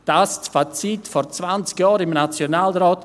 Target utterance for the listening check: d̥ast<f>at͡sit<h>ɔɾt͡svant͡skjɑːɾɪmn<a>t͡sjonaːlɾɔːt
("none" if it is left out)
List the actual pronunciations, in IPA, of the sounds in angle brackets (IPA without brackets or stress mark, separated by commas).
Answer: f, f, a